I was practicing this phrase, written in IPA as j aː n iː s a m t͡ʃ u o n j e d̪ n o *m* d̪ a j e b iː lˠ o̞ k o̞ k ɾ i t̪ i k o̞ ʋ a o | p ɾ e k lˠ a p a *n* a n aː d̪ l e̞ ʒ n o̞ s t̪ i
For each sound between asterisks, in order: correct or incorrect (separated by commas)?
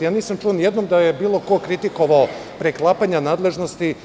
correct, incorrect